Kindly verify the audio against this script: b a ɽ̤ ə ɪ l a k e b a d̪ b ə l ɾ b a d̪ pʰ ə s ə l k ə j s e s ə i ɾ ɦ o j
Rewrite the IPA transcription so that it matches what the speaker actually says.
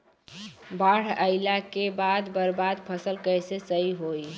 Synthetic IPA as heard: b a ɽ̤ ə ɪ l a k e b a d̪ b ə ɾ b a d̪ pʰ ə s ə l k ə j s e s ə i ɦ o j